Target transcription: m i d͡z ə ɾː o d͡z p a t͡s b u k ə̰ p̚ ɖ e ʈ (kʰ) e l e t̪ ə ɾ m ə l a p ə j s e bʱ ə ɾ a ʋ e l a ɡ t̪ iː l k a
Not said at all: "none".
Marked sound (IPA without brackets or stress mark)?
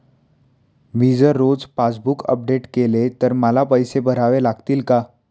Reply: k